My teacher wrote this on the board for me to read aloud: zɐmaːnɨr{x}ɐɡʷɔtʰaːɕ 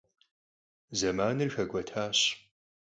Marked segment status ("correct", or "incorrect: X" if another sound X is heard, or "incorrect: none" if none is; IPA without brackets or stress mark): correct